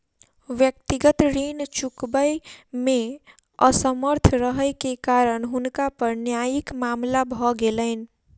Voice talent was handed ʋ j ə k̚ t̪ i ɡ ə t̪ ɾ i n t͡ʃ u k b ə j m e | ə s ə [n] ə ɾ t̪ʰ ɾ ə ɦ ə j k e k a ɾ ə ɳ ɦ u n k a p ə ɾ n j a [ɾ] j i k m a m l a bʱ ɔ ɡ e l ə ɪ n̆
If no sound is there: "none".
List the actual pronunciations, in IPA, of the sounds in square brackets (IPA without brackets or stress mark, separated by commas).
m, none